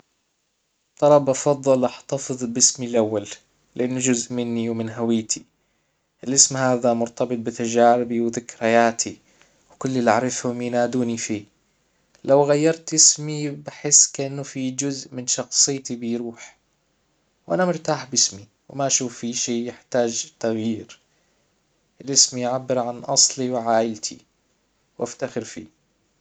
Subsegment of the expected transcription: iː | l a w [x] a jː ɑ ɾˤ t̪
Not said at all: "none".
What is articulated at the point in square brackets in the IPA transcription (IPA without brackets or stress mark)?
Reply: ɣ